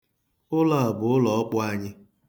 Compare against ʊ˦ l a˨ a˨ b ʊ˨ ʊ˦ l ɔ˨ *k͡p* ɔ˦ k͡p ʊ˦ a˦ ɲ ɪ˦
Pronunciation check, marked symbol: incorrect: none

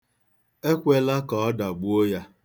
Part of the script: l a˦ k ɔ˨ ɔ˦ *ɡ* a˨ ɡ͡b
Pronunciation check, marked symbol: incorrect: d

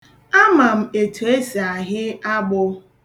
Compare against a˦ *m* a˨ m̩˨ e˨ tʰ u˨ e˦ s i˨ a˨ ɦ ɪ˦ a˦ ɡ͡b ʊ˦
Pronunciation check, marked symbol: correct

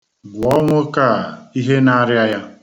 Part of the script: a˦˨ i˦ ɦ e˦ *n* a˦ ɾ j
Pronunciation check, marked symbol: correct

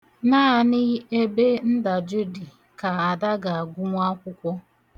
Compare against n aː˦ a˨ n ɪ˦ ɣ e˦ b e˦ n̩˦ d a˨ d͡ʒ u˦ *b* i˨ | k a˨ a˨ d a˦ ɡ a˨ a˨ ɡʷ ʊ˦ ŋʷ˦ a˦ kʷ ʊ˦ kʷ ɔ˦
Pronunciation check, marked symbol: incorrect: d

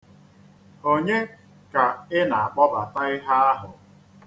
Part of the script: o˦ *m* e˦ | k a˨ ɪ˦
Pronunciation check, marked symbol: incorrect: ɲ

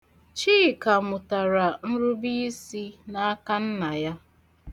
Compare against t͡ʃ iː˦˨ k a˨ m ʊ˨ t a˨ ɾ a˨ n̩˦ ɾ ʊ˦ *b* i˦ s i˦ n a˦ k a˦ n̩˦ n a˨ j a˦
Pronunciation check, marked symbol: correct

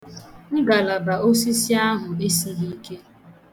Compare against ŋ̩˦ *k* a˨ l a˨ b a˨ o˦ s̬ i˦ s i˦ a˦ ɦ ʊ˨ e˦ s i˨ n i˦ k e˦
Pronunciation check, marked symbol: incorrect: ɡ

